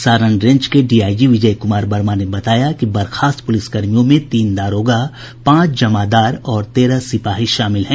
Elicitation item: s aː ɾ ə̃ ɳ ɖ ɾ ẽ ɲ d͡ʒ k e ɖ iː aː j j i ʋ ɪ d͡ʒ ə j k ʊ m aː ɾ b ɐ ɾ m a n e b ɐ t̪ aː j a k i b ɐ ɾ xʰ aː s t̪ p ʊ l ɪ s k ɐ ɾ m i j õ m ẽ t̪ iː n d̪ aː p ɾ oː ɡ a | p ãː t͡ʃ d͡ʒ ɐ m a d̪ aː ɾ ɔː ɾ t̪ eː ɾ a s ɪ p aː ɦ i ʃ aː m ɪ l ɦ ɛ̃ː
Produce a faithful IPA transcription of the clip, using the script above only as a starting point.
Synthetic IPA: s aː ɾ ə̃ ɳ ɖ ɾ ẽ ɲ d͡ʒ k e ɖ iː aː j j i ʋ ɪ d͡ʒ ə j k ʊ m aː ɾ b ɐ ɾ m a n e b ɐ t̪ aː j a k i b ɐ ɾ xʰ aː s t̪ p ʊ l ɪ s k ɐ ɾ m i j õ m ẽ t̪ iː n d̪ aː ɾ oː ɡ a | p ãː t͡ʃ d͡ʒ ɐ m a d̪ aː ɾ ɔː ɾ t̪ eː ɾ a s ɪ p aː ɦ i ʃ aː m ɪ l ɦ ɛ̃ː